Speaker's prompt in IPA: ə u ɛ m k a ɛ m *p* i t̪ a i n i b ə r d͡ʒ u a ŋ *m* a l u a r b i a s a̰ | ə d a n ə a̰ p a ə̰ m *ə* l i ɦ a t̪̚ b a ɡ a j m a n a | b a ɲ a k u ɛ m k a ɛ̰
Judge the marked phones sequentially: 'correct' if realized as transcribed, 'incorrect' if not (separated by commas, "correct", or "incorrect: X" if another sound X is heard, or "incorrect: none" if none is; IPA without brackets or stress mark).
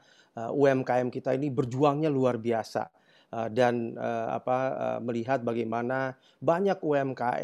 incorrect: k, incorrect: ɲ, correct